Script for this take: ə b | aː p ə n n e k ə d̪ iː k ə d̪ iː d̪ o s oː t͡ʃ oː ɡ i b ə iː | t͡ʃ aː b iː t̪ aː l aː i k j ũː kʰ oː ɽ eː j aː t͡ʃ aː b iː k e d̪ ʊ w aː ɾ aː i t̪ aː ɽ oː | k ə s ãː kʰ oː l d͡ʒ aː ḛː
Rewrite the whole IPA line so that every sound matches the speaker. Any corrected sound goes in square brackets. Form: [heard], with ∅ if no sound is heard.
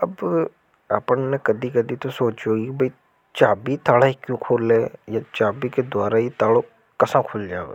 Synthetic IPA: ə b | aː p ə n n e k ə d̪ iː k ə d̪ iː [t̪] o s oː t͡ʃ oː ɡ i b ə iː | t͡ʃ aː b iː t̪ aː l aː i k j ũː kʰ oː [l] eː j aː t͡ʃ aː b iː k e d̪ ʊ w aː ɾ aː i t̪ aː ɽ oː | k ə s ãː kʰ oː l d͡ʒ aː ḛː